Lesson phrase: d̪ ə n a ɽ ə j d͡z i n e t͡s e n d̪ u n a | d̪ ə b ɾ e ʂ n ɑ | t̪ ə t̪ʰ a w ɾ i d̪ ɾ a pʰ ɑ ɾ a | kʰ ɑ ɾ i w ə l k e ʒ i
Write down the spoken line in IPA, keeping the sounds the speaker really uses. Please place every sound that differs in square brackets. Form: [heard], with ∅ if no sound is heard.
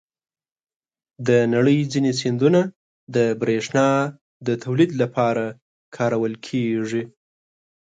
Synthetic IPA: d̪ ə n a ɽ ə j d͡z i n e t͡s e n d̪ u n a | d̪ ə b ɾ e ʂ n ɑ | [d̪] ə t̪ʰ a w [l] i d̪ [l] a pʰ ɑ ɾ a | kʰ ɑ ɾ [a] w ə l [kʰ] e [ʐ] i